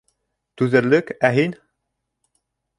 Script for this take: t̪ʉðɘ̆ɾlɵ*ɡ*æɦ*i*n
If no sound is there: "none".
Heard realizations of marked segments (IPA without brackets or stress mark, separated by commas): k, i